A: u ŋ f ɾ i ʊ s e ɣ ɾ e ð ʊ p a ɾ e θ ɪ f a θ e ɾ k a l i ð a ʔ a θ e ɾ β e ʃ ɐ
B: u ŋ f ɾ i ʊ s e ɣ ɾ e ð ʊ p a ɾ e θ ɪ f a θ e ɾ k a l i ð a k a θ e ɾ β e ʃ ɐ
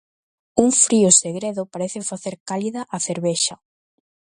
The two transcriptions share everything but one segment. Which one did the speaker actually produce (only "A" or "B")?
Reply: A